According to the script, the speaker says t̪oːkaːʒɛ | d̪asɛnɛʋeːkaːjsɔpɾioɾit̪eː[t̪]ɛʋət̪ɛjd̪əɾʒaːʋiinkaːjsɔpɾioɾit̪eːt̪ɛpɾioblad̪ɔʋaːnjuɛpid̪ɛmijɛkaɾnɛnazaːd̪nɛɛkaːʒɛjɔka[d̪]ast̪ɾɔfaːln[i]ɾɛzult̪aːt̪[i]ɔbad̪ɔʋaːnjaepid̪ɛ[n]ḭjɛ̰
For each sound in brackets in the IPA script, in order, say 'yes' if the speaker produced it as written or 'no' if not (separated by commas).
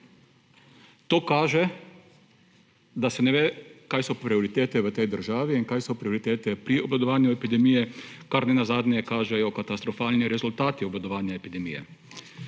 yes, no, yes, yes, no